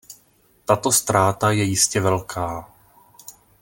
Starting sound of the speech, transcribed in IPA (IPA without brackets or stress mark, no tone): t̪